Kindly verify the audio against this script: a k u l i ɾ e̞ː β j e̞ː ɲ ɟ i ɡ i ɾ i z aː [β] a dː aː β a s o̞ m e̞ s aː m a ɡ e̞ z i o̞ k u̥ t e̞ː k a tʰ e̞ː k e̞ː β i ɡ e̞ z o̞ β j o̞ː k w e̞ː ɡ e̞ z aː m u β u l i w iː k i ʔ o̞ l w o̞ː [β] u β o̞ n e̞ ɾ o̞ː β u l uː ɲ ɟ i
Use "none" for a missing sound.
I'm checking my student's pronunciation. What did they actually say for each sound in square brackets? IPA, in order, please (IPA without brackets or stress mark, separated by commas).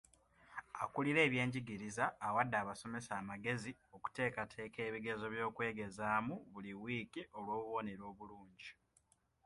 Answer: w, β